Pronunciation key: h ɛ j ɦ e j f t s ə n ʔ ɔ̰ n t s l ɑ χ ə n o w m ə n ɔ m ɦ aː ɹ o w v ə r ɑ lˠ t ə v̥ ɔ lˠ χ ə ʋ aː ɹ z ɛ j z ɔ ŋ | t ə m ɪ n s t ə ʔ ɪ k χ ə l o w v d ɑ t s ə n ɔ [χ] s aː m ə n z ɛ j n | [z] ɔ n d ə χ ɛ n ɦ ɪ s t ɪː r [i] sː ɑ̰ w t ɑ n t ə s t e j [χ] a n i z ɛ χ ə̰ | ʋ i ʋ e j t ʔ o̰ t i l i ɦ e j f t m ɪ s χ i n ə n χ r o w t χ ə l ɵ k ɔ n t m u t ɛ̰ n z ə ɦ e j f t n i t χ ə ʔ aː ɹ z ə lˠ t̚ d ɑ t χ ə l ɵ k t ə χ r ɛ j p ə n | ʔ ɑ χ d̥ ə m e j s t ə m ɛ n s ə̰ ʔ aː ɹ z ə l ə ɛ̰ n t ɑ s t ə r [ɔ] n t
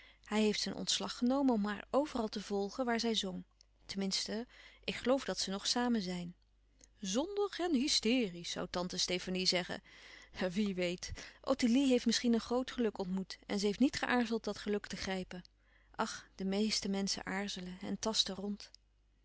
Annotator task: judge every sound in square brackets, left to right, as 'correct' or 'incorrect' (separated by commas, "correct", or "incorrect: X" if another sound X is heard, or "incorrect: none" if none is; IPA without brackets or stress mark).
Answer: correct, correct, correct, incorrect: f, correct